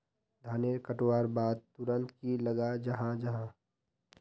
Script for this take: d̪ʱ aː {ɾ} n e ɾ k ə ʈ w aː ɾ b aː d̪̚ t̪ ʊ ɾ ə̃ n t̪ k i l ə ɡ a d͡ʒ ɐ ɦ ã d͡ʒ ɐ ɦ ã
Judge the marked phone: incorrect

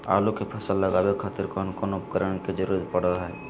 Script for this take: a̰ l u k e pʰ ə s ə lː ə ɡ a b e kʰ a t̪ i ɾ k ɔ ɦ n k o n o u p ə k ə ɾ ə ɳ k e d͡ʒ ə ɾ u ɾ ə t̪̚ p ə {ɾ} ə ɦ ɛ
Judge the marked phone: incorrect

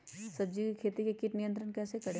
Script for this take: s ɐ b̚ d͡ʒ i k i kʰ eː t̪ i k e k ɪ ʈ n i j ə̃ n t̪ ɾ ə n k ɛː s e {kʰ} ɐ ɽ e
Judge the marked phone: incorrect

